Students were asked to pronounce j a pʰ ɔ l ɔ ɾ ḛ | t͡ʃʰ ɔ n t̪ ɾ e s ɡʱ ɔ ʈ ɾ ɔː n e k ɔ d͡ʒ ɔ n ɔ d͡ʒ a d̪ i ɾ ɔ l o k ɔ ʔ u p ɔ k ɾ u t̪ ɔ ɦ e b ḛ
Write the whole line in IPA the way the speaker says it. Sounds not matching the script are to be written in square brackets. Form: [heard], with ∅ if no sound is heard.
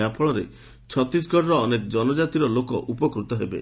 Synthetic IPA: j a pʰ ɔ [ɭ] ɔ ɾ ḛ | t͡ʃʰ ɔ [∅] t̪ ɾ [i] s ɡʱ ɔ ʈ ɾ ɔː n e k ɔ d͡ʒ ɔ n ɔ d͡ʒ a [t̪] i ɾ ɔ l o k ɔ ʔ u p ɔ k ɾ u t̪ ɔ ɦ e b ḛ